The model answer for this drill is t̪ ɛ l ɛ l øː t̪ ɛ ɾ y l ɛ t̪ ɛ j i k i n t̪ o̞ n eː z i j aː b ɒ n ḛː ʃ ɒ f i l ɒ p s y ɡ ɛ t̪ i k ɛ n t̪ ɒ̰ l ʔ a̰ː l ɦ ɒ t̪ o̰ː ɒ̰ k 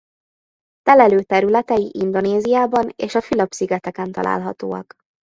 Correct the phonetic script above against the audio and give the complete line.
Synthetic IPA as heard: t̪ ɛ l ɛ l øː t̪ ɛ ɾ y l ɛ t̪ ɛ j i ʔ i n d̪ o̞ n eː z i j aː b ɒ n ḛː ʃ ɒ f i l ɒ p s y ɡ ɛ t̪ ɛ k ɛ n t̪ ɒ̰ l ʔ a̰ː l ɦ ɒ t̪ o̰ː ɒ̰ k